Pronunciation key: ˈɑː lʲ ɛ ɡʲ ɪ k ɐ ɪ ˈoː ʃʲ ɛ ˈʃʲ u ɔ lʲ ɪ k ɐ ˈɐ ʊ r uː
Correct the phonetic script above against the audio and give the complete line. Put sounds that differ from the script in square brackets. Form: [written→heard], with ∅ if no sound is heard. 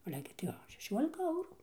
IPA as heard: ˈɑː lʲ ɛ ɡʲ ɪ [k→t] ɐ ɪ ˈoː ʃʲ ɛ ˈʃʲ u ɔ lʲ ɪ k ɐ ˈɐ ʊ r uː